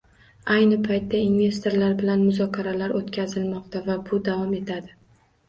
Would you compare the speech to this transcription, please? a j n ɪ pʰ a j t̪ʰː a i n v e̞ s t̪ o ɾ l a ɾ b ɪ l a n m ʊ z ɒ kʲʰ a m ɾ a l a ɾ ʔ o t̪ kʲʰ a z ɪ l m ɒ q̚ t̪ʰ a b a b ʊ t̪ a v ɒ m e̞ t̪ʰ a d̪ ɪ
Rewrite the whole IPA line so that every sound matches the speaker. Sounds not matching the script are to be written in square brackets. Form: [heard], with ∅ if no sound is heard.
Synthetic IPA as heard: a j n ɪ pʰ a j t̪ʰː a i n v e̞ s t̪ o ɾ l a ɾ b ɪ l a n m ʊ z ɒ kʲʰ a [∅] ɾ a l a ɾ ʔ o t̪ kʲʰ a z ɪ l m ɒ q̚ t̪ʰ a [v] a b ʊ [d̪] a v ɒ m e̞ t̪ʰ a d̪ ɪ